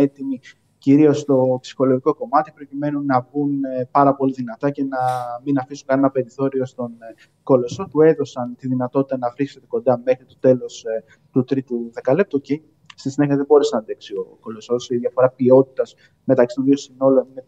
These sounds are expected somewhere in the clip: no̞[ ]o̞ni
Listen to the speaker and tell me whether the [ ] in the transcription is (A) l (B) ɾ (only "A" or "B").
A